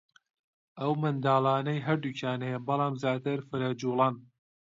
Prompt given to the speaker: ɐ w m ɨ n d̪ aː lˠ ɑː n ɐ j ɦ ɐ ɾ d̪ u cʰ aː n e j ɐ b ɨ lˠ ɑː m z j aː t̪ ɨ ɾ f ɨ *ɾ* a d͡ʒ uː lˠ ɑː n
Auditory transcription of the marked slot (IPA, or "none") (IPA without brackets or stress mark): ɾ